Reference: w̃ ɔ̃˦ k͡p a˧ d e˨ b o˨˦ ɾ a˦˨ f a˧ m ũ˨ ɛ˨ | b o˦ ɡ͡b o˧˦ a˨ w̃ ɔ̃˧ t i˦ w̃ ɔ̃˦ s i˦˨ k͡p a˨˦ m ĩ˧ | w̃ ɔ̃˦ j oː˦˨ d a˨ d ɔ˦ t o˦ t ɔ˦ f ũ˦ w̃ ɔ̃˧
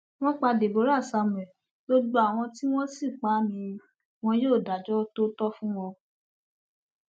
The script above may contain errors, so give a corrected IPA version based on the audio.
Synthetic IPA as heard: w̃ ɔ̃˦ k͡p a˧ d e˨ b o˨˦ ɾ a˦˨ s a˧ m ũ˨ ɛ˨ | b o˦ ɡ͡b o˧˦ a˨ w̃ ɔ̃˧ t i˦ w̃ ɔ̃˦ s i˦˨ k͡p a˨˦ m ĩ˧ | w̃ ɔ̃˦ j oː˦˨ d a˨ d͡ʒ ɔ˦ t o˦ t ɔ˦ f ũ˦ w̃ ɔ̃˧

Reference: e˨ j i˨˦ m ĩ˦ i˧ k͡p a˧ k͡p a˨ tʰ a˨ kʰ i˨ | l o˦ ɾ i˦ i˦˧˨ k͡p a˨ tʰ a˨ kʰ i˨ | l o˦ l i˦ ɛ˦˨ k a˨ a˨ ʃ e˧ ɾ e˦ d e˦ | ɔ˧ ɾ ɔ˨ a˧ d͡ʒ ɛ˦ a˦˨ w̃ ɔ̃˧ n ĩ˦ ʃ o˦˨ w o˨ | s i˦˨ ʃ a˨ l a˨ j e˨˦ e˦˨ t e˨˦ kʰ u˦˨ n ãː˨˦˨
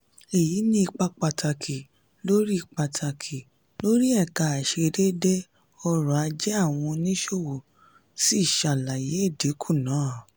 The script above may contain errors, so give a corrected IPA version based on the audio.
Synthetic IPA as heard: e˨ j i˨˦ n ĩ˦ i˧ k͡p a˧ k͡p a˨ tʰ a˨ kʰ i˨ | l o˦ ɾ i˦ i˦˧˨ k͡p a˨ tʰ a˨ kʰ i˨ | l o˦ ɾ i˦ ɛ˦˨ k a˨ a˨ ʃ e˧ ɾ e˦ d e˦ | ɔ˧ ɾ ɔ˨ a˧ d͡ʒ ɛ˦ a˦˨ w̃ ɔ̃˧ n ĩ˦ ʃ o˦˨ w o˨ | s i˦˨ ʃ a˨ l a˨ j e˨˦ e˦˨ d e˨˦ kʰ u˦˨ n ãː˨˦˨

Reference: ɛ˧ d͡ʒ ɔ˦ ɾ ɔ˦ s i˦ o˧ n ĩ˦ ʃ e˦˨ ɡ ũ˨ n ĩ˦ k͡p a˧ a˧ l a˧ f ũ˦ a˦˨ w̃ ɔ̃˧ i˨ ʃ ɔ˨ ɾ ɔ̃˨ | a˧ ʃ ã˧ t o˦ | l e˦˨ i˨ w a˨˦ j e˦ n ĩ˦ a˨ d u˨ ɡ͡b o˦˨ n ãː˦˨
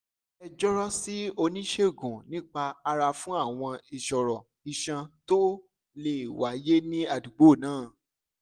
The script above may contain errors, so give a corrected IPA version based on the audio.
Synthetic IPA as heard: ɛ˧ d͡ʒ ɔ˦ ɾ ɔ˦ s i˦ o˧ n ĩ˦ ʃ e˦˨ ɡ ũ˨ n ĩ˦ k͡p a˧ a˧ ɾ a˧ f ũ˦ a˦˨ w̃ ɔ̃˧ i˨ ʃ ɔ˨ ɾ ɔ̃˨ | i˧ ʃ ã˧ t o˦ | l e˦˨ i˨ w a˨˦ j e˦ n ĩ˦ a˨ d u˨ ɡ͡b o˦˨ n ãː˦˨

